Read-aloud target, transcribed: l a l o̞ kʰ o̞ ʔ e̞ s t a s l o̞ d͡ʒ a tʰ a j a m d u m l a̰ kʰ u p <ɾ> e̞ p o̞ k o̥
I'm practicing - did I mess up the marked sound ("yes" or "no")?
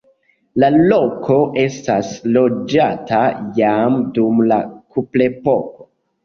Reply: yes